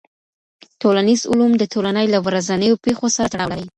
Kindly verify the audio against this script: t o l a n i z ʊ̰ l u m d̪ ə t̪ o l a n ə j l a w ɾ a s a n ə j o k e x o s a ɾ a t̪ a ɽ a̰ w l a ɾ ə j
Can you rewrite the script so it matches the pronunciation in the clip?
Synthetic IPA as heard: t o l a n i z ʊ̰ l u m d̪ ə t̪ o l a n ə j l a w ɾ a z a n ə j o p e x o s a ɾ a t̪ a ɽ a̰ w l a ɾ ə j

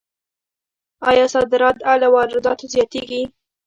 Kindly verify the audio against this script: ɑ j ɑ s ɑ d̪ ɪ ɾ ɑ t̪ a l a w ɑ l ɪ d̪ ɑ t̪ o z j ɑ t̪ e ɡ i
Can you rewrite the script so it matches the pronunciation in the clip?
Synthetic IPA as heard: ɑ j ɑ s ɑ d̪ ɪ ɾ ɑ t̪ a l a w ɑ ɾ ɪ d̪ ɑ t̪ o z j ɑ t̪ e ɡ i

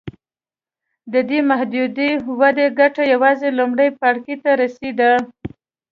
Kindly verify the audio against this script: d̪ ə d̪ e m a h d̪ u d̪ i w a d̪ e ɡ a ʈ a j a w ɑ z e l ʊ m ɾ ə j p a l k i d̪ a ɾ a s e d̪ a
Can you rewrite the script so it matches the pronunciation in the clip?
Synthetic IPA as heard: d̪ ə d̪ e m a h d̪ u d̪ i w a d̪ e ɡ a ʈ a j a w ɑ z e l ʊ m ɽ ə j p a ɽ k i t̪ a ɾ a s e d̪ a

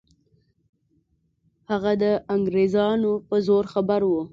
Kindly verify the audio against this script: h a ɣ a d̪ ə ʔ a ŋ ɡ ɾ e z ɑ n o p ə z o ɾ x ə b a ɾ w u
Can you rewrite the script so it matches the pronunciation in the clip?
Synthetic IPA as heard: h a ɣ a d̪ ə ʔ a ŋ ɡ ɾ e z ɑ n o p ə z o ɾ x a b a ɾ w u

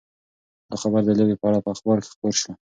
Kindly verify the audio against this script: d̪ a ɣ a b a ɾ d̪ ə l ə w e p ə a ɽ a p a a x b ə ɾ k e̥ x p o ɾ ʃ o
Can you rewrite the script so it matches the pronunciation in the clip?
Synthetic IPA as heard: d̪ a x a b a ɾ d̪ ə l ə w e p ə a ɽ a p ə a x b ɑ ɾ k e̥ x p o ɾ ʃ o

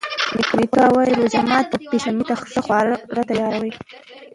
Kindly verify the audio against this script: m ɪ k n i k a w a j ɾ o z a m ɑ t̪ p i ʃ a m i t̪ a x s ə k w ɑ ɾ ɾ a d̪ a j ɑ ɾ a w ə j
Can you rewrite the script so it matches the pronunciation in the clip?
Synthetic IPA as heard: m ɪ k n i k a w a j ɾ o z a m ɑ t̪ p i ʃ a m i t̪ a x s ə x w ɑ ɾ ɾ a t̪ a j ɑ ɾ a w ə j

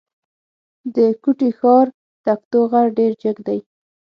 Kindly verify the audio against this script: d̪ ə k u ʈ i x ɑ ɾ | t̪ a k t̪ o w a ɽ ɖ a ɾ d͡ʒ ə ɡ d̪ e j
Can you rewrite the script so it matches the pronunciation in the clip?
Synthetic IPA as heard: d̪ ə k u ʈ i x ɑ ɾ | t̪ a k t̪ o ɣ a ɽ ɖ e ɾ d͡ʒ ə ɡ d̪ a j

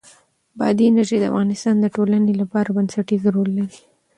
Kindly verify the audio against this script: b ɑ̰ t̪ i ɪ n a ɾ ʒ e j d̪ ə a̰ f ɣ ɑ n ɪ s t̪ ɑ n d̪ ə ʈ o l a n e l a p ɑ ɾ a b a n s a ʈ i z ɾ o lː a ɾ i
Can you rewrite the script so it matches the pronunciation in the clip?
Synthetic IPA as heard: b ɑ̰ d̪ i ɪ n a ɾ ʒ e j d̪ ə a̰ f ɣ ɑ n ɪ s t̪ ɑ n d̪ ə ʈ o l a n e l a p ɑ ɾ a b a n s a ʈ i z ɾ o lː a ɾ i

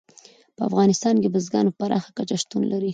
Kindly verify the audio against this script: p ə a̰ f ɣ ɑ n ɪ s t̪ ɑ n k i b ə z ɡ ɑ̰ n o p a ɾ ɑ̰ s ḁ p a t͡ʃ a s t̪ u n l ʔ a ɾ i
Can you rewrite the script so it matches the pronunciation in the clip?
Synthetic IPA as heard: p ə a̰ f ɣ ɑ n ɪ s t̪ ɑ n k e b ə z ɡ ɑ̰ n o p a ɾ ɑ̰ x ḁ k a t͡ʃ a ʃ t̪ u n l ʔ a ɾ i

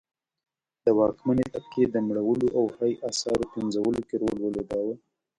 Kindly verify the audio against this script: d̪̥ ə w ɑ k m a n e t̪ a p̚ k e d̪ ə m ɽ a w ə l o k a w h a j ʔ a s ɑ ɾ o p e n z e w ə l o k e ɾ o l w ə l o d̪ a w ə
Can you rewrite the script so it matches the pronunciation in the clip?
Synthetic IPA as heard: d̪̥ ə w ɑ k m a n e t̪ a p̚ k e d̪ ə m ɽ a w ə l o ʔ a w h a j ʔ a s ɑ ɾ o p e n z a w ə l o k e ɾ o l w ə l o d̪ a w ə

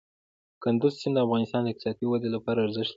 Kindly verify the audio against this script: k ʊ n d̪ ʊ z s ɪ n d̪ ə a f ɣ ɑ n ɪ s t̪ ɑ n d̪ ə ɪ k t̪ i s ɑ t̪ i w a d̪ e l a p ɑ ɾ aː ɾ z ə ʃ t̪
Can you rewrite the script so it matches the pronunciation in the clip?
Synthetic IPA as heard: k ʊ n d̪ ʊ z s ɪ n d̪ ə a f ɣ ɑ n ɪ s t̪ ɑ n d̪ ə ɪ k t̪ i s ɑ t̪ i w a d̪ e l a p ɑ ɾ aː ɾ z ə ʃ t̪

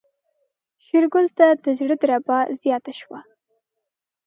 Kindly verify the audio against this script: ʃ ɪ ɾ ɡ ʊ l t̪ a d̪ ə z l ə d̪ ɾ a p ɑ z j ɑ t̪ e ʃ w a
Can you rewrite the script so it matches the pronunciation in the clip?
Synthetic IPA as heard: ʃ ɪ ɾ ɡ ʊ l t̪ a d̪ ə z ɽ ə d̪ ɾ a b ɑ z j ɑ t̪ a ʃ w a

